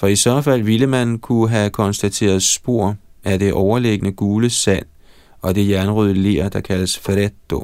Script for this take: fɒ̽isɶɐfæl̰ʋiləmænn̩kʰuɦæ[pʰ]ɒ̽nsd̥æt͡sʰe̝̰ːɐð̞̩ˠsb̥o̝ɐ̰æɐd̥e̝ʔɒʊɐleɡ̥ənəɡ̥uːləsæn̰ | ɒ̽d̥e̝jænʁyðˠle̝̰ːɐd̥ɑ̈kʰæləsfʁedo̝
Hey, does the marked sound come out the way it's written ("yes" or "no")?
no